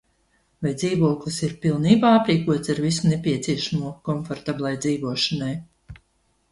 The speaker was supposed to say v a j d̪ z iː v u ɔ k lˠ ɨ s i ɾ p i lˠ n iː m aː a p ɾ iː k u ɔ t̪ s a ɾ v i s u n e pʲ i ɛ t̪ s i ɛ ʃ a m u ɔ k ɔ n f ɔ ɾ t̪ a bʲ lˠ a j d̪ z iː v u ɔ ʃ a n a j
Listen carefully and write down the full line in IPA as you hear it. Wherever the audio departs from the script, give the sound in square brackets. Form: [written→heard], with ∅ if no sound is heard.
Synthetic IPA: v a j d̪ z iː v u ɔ k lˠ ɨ s i ɾ p i lˠ n iː [m→b] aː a p ɾ iː k u ɔ t̪ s a ɾ v i s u n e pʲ i ɛ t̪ s i ɛ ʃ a m u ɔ k ɔ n f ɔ ɾ t̪ a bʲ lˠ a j d̪ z iː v u ɔ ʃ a n a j